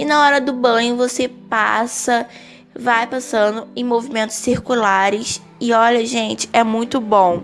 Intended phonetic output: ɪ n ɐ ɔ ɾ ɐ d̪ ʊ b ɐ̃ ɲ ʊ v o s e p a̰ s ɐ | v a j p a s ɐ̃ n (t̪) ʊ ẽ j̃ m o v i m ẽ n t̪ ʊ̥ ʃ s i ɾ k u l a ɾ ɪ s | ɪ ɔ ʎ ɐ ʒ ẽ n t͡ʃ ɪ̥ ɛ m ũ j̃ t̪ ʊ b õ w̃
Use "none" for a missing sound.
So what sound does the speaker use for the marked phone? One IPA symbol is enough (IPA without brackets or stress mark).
d̪